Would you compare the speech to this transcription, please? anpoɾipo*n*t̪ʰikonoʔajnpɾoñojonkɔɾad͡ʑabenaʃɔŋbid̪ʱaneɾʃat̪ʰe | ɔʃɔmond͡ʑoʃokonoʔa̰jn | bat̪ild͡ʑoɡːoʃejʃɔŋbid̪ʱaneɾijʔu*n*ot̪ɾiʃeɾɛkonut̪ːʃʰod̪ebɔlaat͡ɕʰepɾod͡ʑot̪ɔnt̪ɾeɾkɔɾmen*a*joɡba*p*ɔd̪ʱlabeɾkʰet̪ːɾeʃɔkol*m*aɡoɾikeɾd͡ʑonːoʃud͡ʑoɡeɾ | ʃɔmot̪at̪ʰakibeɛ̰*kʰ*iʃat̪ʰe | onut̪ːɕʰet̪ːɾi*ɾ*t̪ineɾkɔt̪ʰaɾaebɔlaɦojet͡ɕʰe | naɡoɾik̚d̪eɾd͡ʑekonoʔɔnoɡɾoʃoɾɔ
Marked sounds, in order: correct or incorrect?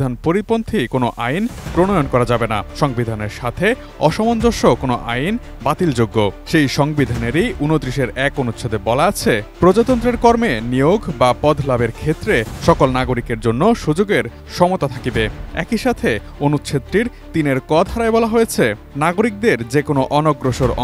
correct, correct, incorrect: i, correct, incorrect: n, incorrect: k, correct

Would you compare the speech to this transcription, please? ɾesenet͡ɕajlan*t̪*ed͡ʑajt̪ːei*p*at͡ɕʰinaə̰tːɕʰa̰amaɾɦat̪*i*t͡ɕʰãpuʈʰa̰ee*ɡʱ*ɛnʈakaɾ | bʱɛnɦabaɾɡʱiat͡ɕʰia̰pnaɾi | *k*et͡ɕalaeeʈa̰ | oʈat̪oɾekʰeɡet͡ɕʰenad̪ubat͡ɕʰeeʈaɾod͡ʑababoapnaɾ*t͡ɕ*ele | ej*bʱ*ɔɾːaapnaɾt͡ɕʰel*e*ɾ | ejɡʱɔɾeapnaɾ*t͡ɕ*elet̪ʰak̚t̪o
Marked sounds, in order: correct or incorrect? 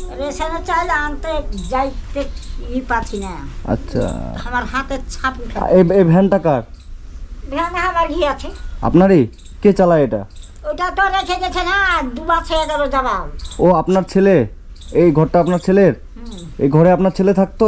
correct, correct, incorrect: e, incorrect: bʱ, correct, incorrect: t͡ɕʰ, incorrect: ɡʱ, correct, incorrect: t͡ɕʰ

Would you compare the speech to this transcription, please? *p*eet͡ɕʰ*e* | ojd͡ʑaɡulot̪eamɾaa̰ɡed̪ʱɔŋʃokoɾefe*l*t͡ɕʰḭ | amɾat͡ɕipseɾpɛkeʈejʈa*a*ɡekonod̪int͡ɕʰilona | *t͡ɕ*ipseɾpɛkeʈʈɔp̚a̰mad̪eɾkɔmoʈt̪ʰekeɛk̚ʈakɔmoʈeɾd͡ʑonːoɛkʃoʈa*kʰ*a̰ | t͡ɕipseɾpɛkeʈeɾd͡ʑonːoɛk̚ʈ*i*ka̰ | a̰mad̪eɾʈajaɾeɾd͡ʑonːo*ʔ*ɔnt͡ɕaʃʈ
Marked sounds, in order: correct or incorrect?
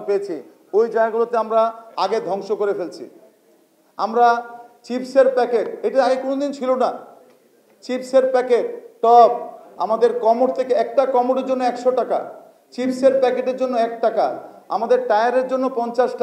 correct, incorrect: i, correct, correct, correct, incorrect: k, incorrect: a, incorrect: p

